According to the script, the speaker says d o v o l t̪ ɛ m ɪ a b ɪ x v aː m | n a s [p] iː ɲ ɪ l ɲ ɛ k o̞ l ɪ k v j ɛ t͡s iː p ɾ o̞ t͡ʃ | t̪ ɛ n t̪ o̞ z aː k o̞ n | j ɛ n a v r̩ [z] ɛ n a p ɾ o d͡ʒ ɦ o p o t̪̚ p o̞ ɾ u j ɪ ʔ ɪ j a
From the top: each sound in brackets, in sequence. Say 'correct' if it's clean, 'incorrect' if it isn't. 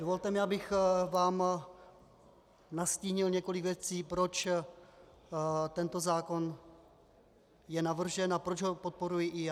incorrect: c, incorrect: ʒ

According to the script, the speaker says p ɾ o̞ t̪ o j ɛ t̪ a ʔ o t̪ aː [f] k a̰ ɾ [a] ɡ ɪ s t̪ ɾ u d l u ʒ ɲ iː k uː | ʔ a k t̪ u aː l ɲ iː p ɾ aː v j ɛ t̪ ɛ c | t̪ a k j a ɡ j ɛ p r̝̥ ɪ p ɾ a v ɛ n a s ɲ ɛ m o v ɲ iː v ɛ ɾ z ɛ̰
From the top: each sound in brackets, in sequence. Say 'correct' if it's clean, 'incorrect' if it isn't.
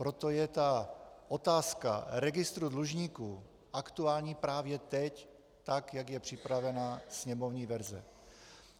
incorrect: s, incorrect: ɛ

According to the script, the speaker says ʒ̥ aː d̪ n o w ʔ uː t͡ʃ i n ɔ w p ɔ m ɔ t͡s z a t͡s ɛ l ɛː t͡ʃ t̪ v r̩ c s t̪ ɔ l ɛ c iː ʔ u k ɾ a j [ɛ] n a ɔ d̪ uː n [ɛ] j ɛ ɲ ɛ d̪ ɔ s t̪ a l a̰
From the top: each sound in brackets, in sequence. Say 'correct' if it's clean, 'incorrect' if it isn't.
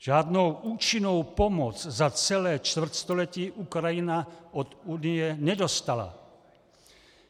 incorrect: i, incorrect: i

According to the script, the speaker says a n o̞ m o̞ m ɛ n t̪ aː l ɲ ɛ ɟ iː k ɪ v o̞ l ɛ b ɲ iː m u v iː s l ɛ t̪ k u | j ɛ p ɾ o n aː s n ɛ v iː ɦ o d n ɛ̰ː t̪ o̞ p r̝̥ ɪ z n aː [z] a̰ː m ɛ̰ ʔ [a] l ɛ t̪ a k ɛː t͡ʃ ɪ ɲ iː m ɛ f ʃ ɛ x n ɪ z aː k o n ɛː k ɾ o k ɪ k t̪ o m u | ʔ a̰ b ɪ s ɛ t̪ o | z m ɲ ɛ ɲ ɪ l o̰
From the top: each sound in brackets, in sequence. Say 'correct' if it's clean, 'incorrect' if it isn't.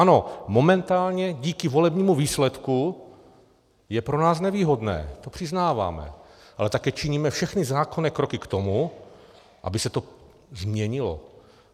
incorrect: v, correct

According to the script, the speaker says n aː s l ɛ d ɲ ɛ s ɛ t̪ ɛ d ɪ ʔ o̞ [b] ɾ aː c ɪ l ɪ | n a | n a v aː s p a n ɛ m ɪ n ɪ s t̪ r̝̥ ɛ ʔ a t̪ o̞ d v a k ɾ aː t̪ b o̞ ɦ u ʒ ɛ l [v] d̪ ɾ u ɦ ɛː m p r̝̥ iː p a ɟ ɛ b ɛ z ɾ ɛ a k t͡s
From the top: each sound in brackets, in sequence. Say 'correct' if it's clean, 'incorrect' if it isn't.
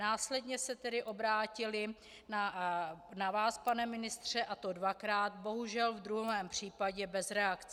correct, correct

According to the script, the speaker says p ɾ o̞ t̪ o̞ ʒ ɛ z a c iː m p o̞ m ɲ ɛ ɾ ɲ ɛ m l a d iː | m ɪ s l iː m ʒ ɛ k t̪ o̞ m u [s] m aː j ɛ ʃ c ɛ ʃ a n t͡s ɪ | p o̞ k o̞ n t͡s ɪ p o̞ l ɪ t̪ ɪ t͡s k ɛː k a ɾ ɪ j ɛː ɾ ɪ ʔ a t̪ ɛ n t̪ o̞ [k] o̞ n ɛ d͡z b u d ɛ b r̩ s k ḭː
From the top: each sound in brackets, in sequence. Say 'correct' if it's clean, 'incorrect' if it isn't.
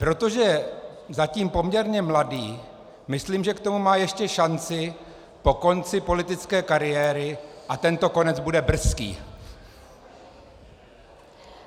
incorrect: none, correct

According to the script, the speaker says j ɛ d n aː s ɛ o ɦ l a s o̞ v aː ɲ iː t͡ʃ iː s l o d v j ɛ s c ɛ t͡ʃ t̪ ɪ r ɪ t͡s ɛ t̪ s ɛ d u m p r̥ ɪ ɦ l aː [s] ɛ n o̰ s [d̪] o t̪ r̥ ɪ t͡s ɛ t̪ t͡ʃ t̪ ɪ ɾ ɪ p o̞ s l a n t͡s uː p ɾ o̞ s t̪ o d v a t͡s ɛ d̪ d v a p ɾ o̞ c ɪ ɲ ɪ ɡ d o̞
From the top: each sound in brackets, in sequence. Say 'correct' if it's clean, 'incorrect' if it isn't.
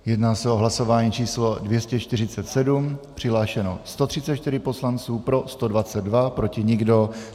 incorrect: ʃ, incorrect: t̪

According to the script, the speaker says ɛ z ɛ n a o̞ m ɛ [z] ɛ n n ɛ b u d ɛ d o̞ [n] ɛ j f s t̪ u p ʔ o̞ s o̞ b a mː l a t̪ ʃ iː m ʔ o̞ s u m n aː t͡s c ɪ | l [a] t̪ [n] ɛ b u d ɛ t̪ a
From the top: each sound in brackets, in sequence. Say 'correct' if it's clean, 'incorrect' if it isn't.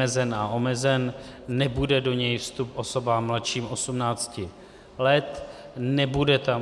correct, incorrect: ɲ, incorrect: ɛ, correct

